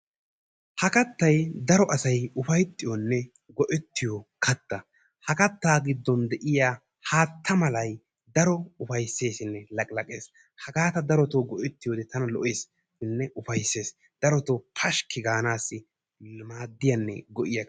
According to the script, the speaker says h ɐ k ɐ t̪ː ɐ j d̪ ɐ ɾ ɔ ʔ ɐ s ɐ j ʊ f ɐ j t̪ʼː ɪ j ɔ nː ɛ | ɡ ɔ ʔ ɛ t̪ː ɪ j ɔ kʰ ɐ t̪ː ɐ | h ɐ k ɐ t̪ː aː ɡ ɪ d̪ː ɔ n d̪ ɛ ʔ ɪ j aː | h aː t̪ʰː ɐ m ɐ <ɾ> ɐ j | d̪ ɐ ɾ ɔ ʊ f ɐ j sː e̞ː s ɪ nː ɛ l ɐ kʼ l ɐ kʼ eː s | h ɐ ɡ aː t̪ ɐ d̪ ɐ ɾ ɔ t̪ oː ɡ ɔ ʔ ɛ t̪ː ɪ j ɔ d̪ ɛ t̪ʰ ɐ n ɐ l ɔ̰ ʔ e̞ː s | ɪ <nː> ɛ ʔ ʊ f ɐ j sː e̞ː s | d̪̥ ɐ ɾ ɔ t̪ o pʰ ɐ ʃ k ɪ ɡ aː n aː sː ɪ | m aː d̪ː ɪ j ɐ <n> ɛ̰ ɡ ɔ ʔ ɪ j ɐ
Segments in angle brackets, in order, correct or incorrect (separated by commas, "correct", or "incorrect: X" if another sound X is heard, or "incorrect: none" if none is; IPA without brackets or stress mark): incorrect: l, correct, incorrect: nː